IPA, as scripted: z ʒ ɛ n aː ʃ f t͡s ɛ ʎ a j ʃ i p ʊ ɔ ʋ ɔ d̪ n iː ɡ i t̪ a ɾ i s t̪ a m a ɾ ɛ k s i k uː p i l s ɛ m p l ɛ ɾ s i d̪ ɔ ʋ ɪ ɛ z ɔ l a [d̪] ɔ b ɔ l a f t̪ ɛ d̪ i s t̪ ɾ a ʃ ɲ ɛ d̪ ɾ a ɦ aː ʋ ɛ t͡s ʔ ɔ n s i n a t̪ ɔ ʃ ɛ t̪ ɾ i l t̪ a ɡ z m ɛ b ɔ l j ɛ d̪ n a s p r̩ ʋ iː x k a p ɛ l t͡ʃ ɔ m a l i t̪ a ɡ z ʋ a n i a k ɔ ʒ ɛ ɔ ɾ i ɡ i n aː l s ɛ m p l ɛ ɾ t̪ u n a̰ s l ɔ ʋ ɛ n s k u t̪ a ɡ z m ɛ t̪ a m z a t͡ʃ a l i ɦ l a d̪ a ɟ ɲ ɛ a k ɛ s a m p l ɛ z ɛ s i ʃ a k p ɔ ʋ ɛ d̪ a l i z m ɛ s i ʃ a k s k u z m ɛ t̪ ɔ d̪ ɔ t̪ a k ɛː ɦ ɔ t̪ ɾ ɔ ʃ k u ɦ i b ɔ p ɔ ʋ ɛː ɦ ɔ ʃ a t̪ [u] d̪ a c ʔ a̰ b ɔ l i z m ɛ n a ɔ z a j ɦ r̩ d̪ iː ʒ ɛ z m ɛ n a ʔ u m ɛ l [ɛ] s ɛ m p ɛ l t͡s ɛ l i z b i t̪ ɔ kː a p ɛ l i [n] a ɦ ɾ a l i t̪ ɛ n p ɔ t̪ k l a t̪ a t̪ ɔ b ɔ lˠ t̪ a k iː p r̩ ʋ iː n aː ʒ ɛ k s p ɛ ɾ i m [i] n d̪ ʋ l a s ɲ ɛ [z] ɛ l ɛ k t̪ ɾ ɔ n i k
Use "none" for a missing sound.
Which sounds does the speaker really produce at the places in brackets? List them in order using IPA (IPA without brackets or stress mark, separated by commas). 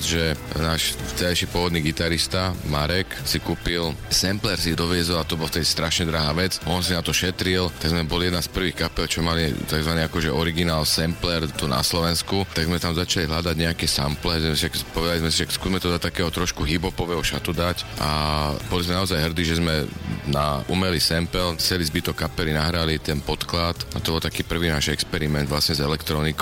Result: t̪, u, i, n, ɛ, z